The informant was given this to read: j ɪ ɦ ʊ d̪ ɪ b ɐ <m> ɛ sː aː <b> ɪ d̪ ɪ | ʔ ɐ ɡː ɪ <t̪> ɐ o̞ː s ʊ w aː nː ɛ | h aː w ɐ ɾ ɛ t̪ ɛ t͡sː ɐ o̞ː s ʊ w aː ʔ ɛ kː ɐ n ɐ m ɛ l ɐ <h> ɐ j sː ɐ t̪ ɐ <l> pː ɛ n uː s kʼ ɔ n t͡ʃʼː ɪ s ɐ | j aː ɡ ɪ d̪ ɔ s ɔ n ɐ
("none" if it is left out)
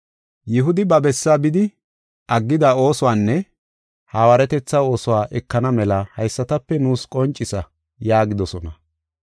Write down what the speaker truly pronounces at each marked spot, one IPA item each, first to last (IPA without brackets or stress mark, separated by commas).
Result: b, b, d̪, h, none